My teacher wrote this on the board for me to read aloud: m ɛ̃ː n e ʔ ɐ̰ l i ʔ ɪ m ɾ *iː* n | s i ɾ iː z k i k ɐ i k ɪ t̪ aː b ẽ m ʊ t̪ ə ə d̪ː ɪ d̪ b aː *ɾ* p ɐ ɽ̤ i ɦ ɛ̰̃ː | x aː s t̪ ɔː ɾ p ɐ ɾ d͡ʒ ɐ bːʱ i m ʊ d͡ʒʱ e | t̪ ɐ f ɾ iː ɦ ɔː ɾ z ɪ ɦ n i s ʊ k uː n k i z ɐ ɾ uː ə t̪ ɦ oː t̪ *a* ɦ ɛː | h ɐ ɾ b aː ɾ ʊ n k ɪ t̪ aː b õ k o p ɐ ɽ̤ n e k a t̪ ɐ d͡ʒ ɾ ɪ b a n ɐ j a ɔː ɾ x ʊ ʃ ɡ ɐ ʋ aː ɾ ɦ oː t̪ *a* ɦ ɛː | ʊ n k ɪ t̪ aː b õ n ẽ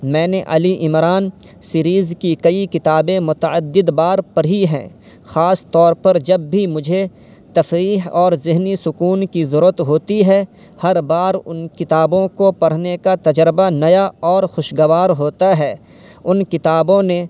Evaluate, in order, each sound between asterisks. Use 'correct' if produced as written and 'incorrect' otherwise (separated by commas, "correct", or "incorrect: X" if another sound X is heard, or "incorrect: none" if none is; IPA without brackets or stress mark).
incorrect: aː, correct, incorrect: i, correct